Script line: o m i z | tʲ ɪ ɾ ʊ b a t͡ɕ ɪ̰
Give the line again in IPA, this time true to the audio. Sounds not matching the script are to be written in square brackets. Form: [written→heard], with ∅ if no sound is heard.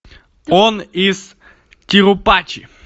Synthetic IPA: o [m→n] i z | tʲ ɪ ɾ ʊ [b→p] a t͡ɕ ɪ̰